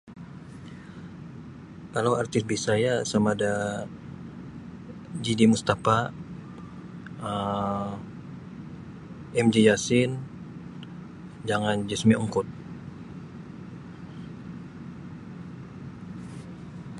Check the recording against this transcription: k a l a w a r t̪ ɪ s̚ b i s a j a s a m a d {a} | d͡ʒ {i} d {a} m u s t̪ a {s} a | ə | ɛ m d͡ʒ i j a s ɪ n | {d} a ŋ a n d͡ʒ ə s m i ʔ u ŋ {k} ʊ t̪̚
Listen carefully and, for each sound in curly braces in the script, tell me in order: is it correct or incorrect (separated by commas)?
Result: correct, correct, incorrect, incorrect, incorrect, correct